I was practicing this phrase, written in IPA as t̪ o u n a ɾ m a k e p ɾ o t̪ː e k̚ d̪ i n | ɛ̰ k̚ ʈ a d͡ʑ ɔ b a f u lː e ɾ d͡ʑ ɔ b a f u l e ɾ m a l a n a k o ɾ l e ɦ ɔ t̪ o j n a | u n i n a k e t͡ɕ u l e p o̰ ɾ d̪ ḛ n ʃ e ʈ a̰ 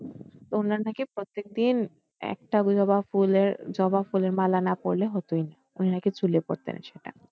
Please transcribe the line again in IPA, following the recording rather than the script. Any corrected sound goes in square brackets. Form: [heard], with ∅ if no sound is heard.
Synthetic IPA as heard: t̪ o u n a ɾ [n] a k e p ɾ o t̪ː e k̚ d̪ i n | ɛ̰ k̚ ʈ a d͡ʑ ɔ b a f u [l] e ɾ d͡ʑ ɔ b a f u l e ɾ m a l a n a [p] o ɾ l e ɦ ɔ t̪ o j n a | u n i n a k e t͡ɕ u l e p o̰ ɾ [t̪] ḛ n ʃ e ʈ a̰